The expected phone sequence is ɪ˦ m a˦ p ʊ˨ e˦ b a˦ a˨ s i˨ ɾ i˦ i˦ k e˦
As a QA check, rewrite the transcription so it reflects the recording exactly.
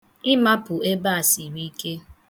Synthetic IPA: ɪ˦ m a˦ p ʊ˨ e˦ b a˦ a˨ s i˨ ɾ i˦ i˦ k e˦